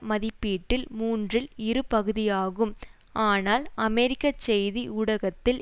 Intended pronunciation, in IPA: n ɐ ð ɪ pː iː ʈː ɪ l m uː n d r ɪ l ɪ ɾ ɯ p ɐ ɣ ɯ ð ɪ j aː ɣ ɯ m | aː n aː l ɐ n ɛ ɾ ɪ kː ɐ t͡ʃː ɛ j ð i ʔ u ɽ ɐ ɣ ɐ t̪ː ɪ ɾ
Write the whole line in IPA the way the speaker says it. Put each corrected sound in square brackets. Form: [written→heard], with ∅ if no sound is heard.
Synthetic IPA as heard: [n→m] ɐ ð ɪ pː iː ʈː ɪ l m uː n d r ɪ l ɪ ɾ ɯ p ɐ ɣ ɯ ð ɪ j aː ɣ ɯ m | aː n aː l ɐ [n→m] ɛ ɾ ɪ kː ɐ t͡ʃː ɛ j ð i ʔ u ɽ ɐ ɣ ɐ t̪ː ɪ [ɾ→l]